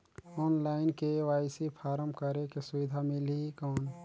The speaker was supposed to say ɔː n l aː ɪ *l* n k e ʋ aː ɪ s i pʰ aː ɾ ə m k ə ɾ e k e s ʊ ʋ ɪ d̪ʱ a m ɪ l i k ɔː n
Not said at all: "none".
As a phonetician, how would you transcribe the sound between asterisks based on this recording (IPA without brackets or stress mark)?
none